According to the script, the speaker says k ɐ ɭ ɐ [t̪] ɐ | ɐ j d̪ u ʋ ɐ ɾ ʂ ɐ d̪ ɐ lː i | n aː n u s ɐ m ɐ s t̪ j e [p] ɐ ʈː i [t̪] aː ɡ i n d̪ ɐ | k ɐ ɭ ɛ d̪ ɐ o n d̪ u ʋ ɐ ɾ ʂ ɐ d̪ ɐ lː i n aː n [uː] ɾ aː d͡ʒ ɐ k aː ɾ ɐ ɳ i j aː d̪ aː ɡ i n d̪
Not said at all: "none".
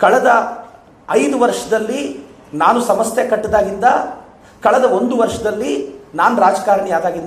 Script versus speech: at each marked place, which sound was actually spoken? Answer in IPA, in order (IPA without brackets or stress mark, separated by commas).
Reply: d̪, k, d̪, u